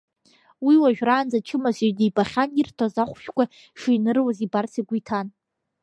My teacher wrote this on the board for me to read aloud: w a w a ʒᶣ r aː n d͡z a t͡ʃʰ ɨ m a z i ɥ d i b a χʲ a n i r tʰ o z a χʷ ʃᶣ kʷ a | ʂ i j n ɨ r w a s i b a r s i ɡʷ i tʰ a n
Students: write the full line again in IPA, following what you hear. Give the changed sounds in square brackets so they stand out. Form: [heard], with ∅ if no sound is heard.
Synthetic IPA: w [i] w a ʒᶣ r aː n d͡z a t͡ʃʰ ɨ m a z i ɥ d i b a χʲ a n i r tʰ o z a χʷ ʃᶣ kʷ a | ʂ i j n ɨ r w a [z] i b a r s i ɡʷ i tʰ a n